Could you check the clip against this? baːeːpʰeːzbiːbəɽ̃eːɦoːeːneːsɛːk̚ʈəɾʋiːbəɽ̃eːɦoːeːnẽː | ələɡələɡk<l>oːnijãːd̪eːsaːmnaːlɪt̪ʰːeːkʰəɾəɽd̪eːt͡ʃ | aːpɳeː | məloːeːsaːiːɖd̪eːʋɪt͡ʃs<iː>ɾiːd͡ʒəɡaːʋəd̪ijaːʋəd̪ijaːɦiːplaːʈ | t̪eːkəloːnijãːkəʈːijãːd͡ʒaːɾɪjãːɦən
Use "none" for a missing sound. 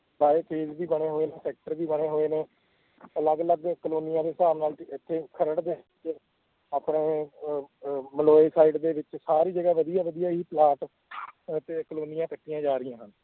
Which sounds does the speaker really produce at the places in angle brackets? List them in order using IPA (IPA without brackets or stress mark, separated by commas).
l, aː